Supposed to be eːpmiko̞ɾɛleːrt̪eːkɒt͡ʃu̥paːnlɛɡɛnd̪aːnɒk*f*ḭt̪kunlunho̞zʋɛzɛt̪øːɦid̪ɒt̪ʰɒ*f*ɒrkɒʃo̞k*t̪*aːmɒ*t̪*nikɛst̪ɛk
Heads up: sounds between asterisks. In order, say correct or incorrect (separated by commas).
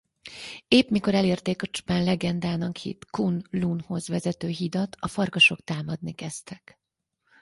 incorrect, correct, correct, incorrect